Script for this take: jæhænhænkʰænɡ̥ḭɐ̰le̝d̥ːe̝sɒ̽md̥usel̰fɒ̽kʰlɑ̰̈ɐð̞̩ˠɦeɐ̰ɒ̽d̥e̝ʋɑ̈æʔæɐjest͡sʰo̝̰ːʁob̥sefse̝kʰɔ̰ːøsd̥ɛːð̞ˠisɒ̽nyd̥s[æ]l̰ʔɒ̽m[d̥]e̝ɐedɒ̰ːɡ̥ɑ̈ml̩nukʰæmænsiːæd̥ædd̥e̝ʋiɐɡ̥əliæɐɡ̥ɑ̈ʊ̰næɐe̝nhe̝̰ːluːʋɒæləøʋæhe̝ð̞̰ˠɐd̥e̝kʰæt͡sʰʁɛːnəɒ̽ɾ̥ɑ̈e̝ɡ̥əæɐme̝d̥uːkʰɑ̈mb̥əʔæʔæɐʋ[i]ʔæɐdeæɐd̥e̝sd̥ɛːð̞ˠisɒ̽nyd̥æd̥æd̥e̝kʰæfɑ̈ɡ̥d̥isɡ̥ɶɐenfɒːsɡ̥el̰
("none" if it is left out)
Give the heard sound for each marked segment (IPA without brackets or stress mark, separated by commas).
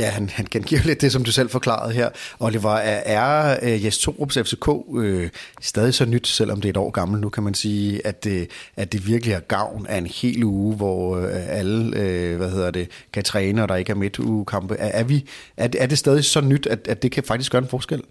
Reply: e, d̥, i